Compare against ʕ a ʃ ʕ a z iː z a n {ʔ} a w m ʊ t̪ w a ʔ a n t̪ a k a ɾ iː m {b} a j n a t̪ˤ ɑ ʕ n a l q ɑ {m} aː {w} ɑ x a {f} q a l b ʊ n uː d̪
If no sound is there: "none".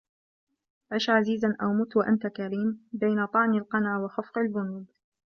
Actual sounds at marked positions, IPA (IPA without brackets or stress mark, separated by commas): ʔ, b, n, w, f